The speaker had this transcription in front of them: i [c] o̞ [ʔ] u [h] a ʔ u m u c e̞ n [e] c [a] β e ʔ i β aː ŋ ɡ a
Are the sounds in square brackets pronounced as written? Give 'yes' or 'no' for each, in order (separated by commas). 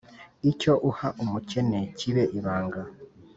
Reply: yes, yes, yes, yes, no